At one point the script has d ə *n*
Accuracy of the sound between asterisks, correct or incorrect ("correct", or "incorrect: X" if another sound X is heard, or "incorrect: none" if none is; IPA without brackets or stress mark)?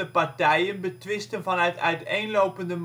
incorrect: m